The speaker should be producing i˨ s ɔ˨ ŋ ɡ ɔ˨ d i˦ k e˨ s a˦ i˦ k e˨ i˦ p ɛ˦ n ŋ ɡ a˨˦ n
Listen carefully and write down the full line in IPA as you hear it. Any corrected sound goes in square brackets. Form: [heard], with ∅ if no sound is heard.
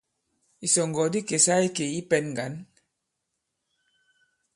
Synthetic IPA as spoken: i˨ s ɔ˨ ŋ ɡ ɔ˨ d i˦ k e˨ s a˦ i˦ k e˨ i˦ p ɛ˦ n ŋ ɡ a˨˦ n